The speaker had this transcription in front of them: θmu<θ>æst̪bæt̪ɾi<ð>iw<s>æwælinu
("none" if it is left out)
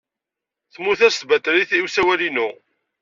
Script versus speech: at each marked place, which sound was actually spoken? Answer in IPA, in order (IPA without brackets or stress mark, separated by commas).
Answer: θ, θ, s